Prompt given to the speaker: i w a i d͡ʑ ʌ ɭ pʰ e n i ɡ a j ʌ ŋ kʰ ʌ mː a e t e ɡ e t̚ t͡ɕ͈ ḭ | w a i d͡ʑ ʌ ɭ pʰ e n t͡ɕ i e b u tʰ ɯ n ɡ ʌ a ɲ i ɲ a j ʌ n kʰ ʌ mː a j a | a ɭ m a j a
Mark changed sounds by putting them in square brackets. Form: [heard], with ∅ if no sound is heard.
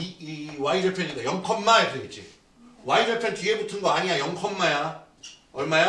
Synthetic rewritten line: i w a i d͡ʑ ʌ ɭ pʰ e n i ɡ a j ʌ ŋ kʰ ʌ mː a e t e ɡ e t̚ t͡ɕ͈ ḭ | w a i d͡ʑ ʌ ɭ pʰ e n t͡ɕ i e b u tʰ ɯ n ɡ ʌ a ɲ i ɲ a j ʌ [ŋ] kʰ ʌ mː a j a | [ʌ] ɭ m a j a